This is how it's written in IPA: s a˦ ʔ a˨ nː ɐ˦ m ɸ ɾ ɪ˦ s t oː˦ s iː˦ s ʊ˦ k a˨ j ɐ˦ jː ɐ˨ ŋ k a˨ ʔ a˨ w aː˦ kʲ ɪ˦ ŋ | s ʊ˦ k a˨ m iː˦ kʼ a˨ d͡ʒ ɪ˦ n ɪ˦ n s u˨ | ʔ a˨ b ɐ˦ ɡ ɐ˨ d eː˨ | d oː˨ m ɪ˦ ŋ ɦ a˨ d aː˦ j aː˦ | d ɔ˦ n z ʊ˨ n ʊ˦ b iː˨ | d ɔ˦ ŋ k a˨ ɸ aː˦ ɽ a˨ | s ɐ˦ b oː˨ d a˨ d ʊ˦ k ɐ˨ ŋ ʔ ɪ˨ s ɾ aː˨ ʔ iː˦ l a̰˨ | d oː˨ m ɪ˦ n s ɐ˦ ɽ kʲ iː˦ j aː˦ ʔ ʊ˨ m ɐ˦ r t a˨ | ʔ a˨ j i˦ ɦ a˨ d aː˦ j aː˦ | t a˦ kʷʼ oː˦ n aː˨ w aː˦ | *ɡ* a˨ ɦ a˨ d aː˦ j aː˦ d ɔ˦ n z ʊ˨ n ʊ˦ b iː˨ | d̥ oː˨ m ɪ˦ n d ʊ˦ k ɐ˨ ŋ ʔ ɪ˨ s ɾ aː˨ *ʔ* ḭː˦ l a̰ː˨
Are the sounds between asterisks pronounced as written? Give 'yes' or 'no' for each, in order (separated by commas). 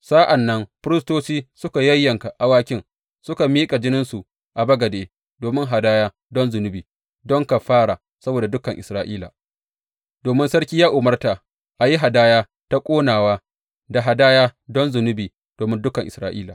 no, yes